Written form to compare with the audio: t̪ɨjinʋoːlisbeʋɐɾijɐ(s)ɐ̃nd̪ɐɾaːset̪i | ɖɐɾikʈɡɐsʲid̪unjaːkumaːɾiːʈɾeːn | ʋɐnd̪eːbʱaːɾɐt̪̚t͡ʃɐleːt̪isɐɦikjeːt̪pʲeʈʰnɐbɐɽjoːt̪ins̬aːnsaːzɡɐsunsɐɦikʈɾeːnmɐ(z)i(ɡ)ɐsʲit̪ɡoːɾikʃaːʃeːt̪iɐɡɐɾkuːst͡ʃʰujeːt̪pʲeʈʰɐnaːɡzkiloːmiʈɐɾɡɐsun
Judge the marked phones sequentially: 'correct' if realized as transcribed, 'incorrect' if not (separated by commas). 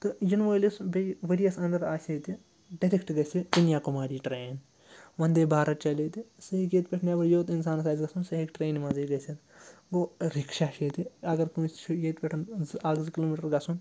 correct, correct, correct